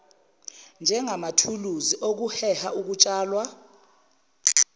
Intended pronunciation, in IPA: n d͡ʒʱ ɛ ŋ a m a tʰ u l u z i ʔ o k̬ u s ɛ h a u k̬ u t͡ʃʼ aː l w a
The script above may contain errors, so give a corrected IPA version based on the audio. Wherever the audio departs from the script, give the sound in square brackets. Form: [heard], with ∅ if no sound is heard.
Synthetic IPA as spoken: n d͡ʒʱ ɛ ŋ a m a tʰ u l u z i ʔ o k̬ u [h] ɛ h a u k̬ u t͡ʃʼ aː l w a